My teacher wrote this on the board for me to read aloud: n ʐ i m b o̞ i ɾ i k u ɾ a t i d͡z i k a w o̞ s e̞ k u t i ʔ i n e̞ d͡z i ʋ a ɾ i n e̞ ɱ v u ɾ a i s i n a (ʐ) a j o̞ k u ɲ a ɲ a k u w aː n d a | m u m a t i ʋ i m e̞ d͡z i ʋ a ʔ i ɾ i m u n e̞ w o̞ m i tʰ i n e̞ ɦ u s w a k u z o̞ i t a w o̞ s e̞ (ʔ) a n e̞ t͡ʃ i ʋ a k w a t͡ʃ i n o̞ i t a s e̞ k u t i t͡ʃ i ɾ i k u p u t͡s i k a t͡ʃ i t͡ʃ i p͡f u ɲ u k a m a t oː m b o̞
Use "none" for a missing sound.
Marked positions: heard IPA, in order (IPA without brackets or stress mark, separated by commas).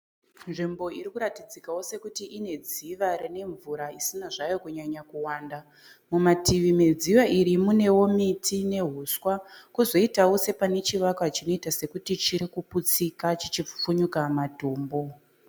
ʐ, p